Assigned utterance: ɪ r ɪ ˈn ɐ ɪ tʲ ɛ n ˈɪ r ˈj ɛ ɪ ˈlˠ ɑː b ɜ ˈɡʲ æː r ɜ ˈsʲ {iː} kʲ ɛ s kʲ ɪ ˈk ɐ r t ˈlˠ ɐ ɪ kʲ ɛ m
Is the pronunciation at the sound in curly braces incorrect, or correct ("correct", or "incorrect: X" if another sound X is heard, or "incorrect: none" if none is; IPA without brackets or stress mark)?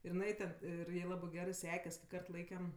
incorrect: æː